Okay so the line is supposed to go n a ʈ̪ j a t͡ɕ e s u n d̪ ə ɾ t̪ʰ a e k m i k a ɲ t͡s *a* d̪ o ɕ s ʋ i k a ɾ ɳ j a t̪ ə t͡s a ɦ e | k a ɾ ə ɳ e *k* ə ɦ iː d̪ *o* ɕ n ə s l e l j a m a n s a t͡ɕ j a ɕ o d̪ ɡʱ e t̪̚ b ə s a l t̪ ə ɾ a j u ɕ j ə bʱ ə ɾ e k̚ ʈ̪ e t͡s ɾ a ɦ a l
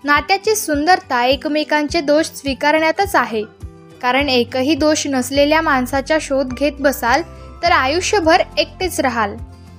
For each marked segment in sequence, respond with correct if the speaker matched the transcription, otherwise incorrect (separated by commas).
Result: incorrect, correct, correct